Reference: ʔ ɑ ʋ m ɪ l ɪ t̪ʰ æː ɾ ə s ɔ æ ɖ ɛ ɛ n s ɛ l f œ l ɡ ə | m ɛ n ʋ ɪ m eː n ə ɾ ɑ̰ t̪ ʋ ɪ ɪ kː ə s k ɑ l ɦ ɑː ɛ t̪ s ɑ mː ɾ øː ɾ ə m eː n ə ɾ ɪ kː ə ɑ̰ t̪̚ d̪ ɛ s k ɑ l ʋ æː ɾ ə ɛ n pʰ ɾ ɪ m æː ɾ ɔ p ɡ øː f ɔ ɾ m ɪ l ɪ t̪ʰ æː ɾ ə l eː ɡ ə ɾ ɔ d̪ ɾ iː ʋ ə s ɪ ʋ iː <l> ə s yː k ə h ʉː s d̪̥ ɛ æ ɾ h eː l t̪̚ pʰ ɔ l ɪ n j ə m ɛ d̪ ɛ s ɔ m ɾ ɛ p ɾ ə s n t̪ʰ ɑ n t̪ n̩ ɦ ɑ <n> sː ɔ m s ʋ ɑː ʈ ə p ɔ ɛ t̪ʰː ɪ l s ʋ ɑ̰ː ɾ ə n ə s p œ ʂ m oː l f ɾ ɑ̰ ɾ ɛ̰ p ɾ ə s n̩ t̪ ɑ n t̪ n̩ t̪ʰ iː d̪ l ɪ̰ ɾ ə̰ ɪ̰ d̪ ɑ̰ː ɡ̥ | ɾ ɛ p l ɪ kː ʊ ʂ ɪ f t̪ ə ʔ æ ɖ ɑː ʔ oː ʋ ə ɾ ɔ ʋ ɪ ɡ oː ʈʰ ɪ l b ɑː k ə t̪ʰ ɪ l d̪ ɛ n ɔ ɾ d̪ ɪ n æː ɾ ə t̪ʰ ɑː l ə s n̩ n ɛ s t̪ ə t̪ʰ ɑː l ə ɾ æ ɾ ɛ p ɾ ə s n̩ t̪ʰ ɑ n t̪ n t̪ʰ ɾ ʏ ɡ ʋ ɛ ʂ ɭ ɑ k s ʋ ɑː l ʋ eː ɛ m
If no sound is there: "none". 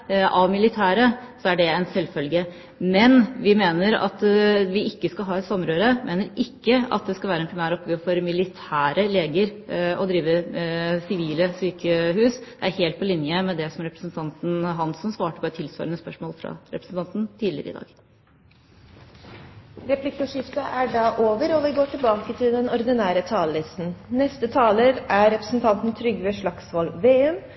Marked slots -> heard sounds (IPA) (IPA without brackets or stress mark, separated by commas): l, n